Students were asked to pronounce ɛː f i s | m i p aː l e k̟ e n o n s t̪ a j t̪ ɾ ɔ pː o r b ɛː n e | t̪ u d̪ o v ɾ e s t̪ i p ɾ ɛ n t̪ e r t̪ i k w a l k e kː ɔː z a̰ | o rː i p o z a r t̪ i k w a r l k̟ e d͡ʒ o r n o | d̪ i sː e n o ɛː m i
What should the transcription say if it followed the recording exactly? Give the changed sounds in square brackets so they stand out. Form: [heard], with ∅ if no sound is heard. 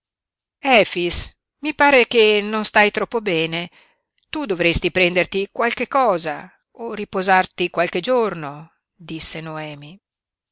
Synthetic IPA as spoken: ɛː f i s | m i p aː [ɾ] e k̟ e n o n s t̪ a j t̪ ɾ ɔ pː o [∅] b ɛː n e | t̪ u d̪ o v ɾ e s t̪ i p ɾ ɛ n [d̪] e r t̪ i k w a l k e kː ɔː z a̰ | o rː i p o z a r t̪ i k w a [∅] l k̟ e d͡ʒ o r n o | d̪ i sː e n o ɛː m i